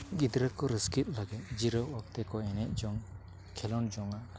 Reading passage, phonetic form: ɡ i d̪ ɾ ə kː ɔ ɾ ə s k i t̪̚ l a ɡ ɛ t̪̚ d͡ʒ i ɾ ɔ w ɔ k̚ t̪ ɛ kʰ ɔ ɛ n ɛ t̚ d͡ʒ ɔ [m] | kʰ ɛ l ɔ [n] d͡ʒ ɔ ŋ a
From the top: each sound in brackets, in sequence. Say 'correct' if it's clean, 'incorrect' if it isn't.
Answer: incorrect, correct

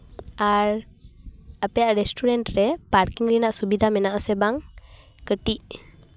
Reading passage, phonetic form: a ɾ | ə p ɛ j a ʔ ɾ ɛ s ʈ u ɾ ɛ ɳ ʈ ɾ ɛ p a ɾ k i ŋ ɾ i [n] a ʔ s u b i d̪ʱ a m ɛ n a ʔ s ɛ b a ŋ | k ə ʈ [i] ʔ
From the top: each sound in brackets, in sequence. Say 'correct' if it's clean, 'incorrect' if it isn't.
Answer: correct, correct

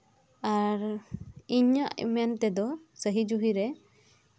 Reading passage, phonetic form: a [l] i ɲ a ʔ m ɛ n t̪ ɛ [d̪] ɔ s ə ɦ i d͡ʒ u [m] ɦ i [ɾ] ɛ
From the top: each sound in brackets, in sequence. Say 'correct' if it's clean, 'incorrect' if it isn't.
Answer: incorrect, correct, incorrect, correct

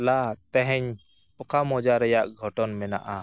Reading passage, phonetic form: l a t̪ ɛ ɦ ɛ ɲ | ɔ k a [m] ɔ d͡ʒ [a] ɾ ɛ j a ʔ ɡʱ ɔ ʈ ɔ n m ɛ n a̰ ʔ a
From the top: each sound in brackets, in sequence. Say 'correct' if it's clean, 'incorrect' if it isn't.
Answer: correct, correct

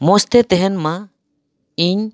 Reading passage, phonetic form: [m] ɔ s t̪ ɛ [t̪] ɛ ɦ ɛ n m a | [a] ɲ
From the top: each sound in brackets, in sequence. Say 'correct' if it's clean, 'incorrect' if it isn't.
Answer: correct, correct, incorrect

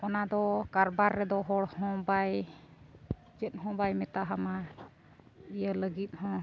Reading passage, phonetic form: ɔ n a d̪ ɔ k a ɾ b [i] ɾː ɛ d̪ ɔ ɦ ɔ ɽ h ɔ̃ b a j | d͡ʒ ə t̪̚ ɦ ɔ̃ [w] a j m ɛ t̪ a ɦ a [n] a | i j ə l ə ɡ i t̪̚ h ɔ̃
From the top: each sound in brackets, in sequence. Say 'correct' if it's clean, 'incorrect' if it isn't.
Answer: incorrect, incorrect, incorrect

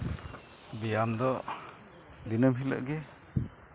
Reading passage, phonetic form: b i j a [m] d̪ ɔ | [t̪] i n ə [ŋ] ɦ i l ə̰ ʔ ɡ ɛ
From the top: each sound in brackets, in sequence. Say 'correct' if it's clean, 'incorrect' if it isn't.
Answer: correct, incorrect, incorrect

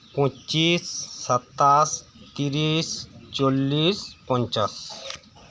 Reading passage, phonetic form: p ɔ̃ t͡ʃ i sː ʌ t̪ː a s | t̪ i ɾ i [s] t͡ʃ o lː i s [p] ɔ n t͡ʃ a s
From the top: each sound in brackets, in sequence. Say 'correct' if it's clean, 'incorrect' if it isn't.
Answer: correct, correct

